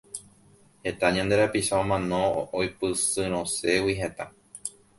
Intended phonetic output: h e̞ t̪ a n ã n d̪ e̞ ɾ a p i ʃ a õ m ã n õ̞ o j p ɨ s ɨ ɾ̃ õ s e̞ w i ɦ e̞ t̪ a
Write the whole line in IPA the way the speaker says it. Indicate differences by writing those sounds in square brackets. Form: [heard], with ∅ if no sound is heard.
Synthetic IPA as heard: h e̞ t̪ a [ɲ] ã n d̪ e̞ ɾ a p i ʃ a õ m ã n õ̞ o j p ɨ s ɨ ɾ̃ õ s e̞ w i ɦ e̞ t̪ a